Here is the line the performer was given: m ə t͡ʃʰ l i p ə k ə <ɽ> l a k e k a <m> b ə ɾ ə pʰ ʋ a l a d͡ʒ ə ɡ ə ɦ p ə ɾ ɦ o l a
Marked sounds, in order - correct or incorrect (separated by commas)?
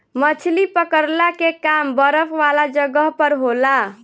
incorrect, correct